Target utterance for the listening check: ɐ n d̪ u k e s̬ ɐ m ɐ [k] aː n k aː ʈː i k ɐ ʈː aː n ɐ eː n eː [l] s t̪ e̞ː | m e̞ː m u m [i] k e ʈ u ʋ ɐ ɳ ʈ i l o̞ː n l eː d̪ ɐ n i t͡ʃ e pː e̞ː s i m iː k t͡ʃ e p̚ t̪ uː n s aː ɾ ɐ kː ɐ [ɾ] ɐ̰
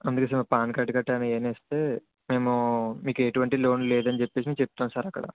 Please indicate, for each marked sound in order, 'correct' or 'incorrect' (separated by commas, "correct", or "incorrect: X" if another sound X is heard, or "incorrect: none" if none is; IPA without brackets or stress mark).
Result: incorrect: p, incorrect: none, incorrect: iː, incorrect: ɽ